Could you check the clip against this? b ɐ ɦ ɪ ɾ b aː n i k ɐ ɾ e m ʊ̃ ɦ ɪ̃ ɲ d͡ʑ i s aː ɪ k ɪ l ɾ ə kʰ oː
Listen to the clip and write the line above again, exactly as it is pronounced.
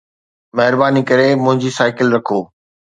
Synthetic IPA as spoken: m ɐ ɦ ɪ ɾ b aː n i k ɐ ɾ e m ʊ̃ ɦ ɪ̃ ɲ d͡ʑ i s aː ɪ k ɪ l ɾ ɐ kʰ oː

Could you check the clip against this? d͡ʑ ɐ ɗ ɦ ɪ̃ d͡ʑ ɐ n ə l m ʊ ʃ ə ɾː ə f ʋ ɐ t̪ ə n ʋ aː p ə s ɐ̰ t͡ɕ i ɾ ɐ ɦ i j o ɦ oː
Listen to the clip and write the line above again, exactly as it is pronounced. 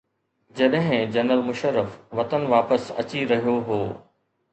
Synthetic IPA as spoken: d͡ʑ ɐ ɗ ɦ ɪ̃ d͡ʑ ɐ n ə l m ʊ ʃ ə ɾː ə f ʋ ɐ t̪ ə n ʋ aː p ə s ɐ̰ t͡ɕ i ɾ ɐ ɦ i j o ɦ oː

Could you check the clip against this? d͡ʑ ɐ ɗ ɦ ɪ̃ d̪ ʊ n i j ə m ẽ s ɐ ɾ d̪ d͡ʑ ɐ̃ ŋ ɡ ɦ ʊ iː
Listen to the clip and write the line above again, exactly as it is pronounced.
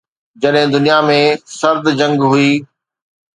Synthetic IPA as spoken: d͡ʑ ɐ ɗ ɦ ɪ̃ d̪ ʊ n i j a m ẽ s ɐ ɾ d̪ d͡ʑ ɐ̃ ŋ ɡ ɦ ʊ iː

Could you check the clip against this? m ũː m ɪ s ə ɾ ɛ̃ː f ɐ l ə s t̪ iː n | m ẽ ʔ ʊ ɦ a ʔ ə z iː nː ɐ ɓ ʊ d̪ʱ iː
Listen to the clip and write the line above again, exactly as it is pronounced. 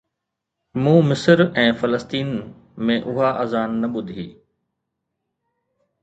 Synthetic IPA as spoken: m ũː m ɪ s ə ɾ ɛ̃ː f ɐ l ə s t̪ iː n | m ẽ ʔ ʊ ɦ a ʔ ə z aː nː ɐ ɓ ʊ d̪ʱ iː

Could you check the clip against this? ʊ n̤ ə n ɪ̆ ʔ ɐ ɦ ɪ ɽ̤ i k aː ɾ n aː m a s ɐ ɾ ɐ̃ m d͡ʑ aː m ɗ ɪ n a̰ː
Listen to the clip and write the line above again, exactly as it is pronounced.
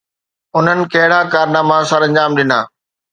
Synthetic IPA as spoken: ʊ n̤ ə n ɪ̆ k ɐ ɦ ɪ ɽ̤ a k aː ɾ n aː m a s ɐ ɾ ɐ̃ ɲ d͡ʑ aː m ɗ ɪ n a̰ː

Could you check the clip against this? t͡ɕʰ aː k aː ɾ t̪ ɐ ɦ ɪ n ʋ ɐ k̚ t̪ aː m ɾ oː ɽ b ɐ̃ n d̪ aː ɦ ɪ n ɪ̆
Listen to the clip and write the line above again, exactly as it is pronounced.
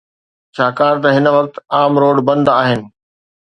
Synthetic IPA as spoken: t͡ɕʰ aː k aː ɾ t̪ ɐ ɦ ɪ n ʋ ɐ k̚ t̪ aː m ɾ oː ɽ b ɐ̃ n d̪ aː ɦ ɪ n ɪ̆

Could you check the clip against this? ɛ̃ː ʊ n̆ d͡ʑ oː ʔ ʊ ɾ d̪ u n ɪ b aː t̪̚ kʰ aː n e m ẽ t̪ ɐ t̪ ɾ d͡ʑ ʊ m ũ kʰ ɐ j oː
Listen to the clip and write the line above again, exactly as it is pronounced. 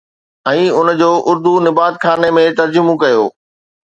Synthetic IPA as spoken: ɛ̃ː ʊ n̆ d͡ʑ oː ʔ ʊ ɾ d̪ u n ɪ b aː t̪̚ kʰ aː n e m ẽ t̪ ɐ ɾ d͡ʑ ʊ m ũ k ɐ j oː

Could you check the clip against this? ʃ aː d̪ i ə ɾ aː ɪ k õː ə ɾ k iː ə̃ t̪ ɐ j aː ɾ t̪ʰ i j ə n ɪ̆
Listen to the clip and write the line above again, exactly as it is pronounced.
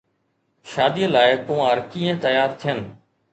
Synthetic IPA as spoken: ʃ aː d̪ i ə l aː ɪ k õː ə ɾ k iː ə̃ t̪ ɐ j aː ɾ t̪ʰ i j ə n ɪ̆

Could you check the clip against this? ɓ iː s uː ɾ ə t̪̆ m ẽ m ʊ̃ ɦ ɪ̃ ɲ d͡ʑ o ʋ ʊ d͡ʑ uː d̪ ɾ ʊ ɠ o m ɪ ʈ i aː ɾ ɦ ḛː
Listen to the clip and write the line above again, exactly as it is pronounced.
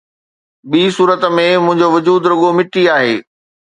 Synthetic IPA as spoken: ɓ iː s uː ɾ ə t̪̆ m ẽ m ʊ̃ ɦ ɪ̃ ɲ d͡ʑ o ʋ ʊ d͡ʑ uː d̪ ɾ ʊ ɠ o m ɪ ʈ i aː ɦ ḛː

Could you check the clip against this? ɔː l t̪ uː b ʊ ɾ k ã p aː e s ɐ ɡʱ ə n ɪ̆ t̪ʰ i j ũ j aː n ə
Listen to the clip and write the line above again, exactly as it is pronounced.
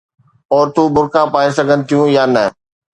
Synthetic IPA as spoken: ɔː ɾ t̪ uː b ʊ ɾ k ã p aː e s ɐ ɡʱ ə n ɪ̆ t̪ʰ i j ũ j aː n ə

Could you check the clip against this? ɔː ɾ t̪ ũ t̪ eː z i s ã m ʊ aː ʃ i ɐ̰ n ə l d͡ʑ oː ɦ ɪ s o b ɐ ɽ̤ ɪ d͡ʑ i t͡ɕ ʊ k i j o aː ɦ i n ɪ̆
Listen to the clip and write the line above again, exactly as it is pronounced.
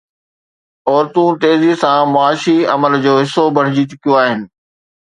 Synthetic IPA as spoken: ɔː ɾ t̪ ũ t̪ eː z i s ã m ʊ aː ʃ i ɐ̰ m ə l d͡ʑ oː ɦ ɪ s o b ɐ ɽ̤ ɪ d͡ʑ i t͡ɕ ʊ k i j o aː ɦ ɪ n ɪ̆

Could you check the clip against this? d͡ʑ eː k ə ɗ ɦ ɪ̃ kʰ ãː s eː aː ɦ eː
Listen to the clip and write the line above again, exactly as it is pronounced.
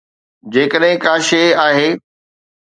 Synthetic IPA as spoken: d͡ʑ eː k ə ɗ ɦ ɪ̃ k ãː ʃ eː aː ɦ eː

